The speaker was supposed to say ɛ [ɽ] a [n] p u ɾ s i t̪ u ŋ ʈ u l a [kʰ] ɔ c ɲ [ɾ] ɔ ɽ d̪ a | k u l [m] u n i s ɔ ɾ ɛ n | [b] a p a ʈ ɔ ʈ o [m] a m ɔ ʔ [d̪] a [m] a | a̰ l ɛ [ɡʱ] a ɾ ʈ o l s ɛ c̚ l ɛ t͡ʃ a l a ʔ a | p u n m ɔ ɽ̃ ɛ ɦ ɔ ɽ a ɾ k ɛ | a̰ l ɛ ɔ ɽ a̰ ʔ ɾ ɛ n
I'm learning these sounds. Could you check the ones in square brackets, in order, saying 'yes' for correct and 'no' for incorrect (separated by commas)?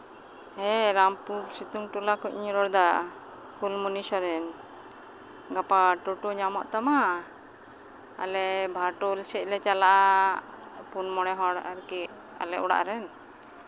no, no, no, yes, yes, no, no, no, yes, no